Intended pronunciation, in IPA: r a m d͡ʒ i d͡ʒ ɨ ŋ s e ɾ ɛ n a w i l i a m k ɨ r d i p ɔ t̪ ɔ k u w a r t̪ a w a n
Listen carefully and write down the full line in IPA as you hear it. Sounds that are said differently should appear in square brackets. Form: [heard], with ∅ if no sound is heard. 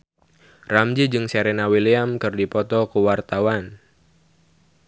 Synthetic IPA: r a m d͡ʒ i d͡ʒ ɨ ŋ s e ɾ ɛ n a w i l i a m k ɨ r d i p ɔ t̪ ɔ k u w a r t̪ a w a n